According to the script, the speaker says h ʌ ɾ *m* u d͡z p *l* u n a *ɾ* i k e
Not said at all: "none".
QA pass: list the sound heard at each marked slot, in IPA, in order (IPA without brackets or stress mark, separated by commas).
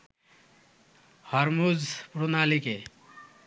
m, ɾ, l